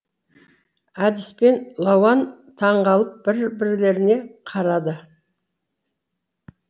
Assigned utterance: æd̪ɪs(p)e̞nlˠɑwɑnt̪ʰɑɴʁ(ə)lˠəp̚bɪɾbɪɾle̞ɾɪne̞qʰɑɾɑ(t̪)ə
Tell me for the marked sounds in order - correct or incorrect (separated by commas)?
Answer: correct, incorrect, incorrect